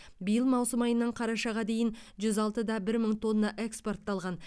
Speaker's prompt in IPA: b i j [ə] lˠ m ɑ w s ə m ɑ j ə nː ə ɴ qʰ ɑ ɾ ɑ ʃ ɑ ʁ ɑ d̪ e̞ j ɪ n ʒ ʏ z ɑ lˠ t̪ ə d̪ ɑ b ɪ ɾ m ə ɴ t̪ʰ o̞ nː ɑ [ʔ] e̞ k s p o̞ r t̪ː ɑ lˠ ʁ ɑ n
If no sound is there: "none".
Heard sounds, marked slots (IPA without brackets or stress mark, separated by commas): ə, ʔ